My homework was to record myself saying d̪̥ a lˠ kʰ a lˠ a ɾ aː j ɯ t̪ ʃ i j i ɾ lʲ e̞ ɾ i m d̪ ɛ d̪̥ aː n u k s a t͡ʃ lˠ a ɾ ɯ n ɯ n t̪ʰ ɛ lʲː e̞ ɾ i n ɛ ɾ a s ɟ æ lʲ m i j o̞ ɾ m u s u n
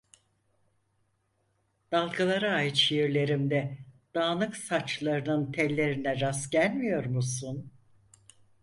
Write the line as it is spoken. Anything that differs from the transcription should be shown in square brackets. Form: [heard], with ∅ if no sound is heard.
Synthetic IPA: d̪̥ a lˠ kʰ a lˠ a ɾ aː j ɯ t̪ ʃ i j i ɾ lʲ e̞ ɾ i m d̪ ɛ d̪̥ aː n [ɯ] k s a t͡ʃ lˠ a ɾ ɯ n ɯ n t̪ʰ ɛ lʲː e̞ ɾ i n ɛ ɾ a s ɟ æ lʲ m i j o̞ ɾ m u s u n